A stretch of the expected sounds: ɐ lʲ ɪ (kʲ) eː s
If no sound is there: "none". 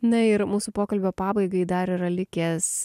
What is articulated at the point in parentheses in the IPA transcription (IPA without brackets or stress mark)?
kʲ